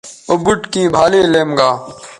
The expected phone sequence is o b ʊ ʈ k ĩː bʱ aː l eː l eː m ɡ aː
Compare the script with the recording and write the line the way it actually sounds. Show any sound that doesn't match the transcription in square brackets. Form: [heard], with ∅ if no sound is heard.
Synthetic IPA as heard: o b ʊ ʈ k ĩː bʱ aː l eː l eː m ɡ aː